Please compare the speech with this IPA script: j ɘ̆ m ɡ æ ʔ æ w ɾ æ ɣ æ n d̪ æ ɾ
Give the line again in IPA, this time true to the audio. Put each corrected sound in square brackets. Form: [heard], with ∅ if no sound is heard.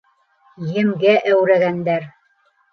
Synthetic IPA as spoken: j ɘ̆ m ɡ æ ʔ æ w ɾ æ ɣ æ n d̪ æ ɾ